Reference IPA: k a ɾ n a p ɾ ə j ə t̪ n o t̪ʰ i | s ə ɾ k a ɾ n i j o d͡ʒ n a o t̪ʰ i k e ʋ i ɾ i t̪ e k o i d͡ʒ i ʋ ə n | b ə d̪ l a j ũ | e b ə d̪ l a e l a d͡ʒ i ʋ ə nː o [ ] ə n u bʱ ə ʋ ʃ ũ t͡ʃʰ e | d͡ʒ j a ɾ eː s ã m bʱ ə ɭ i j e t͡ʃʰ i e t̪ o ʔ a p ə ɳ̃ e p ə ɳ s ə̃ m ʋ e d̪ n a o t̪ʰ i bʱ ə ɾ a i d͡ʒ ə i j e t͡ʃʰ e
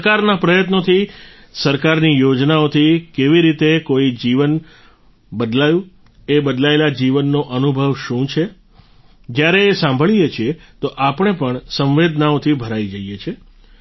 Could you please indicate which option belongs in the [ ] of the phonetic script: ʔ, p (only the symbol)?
ʔ